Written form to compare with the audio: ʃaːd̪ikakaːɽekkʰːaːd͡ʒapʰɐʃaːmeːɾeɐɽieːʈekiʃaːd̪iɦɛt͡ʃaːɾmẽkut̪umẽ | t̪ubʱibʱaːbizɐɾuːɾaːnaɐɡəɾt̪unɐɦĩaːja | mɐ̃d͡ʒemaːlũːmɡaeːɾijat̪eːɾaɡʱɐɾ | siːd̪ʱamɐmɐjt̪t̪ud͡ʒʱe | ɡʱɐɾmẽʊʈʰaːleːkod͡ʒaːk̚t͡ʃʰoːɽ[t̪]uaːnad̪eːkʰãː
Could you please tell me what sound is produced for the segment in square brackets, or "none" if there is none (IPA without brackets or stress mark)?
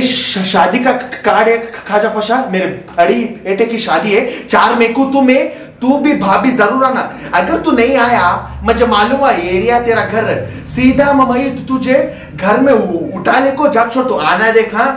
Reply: t̪